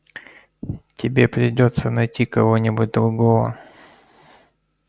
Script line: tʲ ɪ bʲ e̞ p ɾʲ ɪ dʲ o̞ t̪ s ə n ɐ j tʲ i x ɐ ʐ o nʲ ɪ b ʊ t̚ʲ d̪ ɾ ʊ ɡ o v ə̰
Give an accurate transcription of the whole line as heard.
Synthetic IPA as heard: tʲ ɪ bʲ e̞ p ɾʲ ɪ dʲ o̞ t̪ s ə n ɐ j tʲ i k ɐ v o nʲ ɪ b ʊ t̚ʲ d̪ ɾ ʊ ɡ o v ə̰